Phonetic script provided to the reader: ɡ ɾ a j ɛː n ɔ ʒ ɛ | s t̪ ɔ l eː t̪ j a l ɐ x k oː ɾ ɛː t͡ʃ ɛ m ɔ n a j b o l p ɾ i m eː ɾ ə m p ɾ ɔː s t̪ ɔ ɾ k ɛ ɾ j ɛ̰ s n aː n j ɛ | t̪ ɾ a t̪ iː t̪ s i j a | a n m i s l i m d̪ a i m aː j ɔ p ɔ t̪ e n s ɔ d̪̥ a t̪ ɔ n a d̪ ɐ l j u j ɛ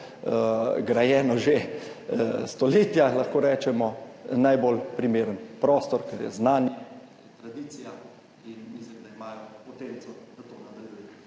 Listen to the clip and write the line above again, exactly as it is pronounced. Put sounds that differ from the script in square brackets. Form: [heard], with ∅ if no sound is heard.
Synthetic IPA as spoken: ɡ ɾ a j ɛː n ɔ ʒ [e] | s t̪ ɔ l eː t̪ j a l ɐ x k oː ɾ ɛː t͡ʃ ɛ m ɔ n a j b o l p ɾ i m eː ɾ ə [n] p ɾ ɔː s t̪ ɔ ɾ k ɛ ɾ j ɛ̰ [z] n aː n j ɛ | t̪ ɾ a [d̪] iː t̪ s i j a | [i] n m i s l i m d̪ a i m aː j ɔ p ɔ t̪ e n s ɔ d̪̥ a t̪ [o] n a d̪ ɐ l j u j ɛ